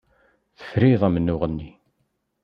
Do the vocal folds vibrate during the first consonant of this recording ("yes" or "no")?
no